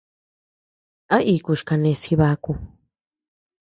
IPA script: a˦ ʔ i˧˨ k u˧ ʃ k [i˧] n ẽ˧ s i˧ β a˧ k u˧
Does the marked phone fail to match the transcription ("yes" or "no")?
yes